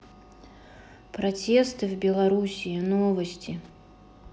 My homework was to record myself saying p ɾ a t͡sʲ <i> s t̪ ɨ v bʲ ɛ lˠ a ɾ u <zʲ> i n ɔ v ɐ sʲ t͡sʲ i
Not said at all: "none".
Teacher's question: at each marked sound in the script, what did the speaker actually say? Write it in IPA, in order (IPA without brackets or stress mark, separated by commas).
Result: ɛ, sʲ